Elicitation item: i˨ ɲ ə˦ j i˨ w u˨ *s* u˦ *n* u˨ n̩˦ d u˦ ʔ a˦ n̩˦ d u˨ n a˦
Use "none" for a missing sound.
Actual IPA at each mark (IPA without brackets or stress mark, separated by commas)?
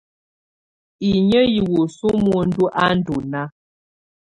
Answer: s, m